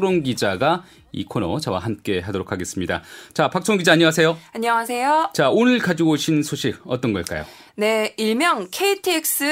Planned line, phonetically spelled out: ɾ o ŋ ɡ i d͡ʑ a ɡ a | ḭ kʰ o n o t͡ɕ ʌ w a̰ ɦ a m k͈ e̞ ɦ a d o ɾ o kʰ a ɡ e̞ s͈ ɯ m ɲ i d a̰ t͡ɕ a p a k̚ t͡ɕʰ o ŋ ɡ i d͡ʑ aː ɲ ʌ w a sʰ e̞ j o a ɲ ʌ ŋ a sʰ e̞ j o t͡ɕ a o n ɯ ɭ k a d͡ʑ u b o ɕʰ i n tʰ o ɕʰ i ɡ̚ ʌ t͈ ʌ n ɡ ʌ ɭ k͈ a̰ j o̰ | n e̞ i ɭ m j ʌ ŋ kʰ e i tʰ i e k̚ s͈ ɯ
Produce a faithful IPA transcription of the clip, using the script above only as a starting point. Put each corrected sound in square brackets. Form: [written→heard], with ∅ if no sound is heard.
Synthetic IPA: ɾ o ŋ ɡ i d͡ʑ a ɡ a | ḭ kʰ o n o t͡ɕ ʌ w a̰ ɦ a m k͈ e̞ ɦ a d o ɾ o kʰ a ɡ e̞ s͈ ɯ m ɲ i d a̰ t͡ɕ a p a k̚ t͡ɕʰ o ŋ ɡ i d͡ʑ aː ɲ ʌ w a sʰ e̞ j o a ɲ ʌ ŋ a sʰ e̞ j o t͡ɕ a o n ɯ ɭ k a d͡ʑ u [b→ɡ] o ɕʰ i n [tʰ→sʰ] o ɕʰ i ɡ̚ ʌ t͈ ʌ n ɡ ʌ ɭ k͈ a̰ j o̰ | n e̞ i ɭ m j ʌ ŋ kʰ e i tʰ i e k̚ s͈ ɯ